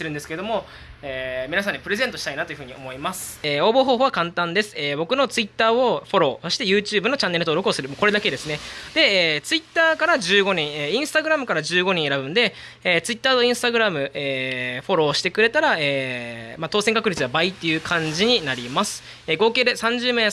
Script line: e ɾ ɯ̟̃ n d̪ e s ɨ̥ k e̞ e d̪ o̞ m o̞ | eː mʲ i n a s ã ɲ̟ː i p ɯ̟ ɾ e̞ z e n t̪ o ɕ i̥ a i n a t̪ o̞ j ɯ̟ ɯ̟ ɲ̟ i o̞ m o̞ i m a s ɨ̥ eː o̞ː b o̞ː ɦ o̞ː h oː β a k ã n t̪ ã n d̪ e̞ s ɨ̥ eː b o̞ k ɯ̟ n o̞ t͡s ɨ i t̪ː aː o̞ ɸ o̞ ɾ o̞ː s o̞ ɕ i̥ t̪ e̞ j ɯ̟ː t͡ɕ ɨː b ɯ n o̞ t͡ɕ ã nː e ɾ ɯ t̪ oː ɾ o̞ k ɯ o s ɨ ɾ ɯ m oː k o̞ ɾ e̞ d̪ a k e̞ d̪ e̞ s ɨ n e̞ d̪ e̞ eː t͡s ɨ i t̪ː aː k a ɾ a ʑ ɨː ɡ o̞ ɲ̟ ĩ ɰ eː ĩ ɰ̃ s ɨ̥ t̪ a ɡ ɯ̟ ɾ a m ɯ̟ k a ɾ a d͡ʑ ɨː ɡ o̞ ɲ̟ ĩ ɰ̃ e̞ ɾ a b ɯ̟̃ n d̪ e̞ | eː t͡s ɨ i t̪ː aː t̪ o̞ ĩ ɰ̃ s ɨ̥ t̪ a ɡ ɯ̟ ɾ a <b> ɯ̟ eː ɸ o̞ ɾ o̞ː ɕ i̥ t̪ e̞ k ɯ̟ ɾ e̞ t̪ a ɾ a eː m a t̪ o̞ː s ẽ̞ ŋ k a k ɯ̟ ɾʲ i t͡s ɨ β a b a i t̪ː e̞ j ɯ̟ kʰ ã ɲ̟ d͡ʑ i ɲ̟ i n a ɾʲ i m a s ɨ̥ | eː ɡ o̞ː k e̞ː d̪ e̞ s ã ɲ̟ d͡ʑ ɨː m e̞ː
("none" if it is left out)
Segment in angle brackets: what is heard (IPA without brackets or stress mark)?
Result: m